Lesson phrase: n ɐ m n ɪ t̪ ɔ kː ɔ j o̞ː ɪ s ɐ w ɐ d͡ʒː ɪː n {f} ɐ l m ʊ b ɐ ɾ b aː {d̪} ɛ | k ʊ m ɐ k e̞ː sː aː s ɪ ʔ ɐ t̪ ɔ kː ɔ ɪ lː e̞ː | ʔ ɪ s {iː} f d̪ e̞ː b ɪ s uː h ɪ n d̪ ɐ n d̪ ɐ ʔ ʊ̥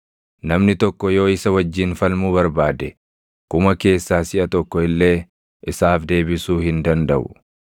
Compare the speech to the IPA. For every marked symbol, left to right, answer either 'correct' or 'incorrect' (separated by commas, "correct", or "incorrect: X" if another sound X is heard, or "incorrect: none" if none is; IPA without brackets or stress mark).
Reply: correct, correct, incorrect: aː